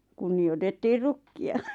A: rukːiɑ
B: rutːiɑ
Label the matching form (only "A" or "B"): A